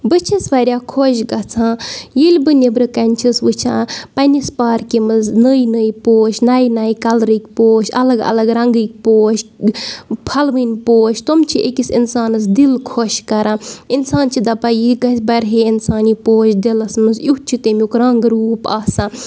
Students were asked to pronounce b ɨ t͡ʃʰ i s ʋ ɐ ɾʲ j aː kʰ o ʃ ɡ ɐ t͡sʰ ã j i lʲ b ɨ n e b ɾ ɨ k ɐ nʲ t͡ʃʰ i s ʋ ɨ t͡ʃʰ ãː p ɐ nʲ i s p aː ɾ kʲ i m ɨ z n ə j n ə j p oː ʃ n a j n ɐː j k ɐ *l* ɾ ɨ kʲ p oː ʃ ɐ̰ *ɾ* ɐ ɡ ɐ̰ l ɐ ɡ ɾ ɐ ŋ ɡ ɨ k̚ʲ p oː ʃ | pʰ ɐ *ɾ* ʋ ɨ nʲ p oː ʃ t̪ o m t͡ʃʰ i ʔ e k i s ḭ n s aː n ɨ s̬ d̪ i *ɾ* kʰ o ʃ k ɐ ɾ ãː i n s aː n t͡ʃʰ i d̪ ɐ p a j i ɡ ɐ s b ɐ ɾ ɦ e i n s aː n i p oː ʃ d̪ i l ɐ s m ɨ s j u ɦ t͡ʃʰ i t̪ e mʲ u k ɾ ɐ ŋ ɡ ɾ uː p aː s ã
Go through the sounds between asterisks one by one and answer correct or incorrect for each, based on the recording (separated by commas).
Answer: correct, incorrect, incorrect, incorrect